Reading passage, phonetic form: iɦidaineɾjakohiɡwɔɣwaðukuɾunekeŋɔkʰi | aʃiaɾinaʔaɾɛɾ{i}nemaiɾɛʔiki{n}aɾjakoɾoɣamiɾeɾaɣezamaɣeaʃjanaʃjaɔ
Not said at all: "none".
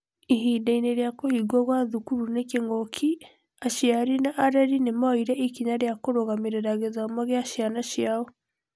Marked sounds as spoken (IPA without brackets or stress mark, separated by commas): i, ɲ